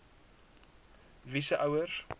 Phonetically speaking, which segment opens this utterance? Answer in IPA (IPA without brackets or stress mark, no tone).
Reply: v